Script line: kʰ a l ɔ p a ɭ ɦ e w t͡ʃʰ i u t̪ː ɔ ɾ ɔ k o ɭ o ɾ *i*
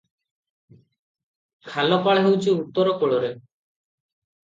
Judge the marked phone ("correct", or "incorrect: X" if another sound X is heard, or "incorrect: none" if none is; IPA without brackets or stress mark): incorrect: e